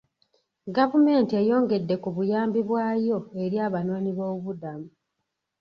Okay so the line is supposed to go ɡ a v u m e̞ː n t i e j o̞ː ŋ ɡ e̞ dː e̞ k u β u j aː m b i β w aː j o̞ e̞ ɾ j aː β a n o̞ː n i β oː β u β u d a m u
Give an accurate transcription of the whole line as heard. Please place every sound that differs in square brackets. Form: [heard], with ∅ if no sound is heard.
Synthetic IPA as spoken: ɡ a v u m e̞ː n t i e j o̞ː ŋ ɡ e̞ dː e̞ k u β u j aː m b i β w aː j o̞ e̞ ɾ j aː β a n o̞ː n i β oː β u β u d a m u